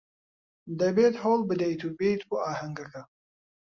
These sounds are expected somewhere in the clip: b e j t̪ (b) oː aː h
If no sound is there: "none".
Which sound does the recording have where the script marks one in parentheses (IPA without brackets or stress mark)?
b